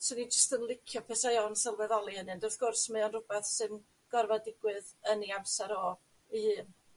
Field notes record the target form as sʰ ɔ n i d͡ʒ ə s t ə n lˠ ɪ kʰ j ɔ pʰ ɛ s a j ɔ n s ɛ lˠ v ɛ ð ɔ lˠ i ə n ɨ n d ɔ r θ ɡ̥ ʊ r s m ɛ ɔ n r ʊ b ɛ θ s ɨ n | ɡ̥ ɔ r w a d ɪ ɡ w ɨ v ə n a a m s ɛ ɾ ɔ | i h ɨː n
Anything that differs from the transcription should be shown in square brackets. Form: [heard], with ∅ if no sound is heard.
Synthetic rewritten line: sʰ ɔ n i d͡ʒ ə s t ə n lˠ ɪ kʰ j ɔ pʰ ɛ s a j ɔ n s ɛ lˠ v ɛ ð ɔ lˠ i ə n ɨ n d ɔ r θ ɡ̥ ʊ r s m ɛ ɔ n r ʊ b ɛ θ s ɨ n | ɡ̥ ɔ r [v] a d ɪ ɡ w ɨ [ð] ə n [i] a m s ɛ ɾ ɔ | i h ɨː n